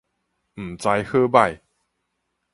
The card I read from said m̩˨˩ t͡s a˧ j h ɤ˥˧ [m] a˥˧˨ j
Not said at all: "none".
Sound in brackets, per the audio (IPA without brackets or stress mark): b